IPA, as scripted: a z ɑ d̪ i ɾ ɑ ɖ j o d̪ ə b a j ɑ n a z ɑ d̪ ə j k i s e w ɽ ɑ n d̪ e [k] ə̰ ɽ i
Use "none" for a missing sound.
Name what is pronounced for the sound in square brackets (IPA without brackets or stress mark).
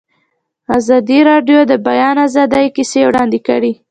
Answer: k